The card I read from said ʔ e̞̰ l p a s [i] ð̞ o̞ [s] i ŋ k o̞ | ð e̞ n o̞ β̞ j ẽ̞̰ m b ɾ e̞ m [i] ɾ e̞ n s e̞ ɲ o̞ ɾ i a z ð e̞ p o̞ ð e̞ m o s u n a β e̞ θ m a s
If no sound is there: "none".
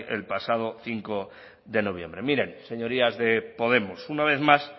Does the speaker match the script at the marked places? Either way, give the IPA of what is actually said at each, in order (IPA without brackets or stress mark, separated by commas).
a, θ, i